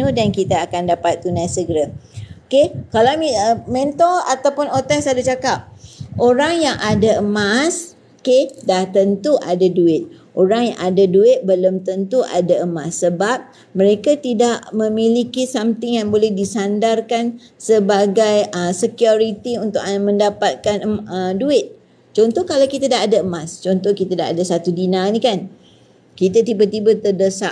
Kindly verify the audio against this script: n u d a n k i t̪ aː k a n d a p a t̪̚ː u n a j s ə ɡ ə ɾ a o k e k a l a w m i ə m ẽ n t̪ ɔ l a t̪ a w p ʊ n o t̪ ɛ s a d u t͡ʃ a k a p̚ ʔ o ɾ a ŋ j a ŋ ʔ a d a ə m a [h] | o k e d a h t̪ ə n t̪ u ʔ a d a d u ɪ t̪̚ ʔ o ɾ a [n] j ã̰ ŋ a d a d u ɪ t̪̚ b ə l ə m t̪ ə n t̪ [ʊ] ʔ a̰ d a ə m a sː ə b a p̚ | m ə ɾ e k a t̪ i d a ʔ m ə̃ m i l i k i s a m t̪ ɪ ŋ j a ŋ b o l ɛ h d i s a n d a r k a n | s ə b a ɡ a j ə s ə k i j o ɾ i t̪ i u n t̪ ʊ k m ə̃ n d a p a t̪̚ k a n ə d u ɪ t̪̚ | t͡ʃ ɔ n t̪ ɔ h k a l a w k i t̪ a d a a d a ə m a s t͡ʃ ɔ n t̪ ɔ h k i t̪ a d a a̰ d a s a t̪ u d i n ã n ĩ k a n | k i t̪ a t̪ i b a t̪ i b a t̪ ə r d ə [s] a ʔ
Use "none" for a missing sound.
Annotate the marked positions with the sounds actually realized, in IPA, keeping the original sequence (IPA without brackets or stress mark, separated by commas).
s, ŋ, u, s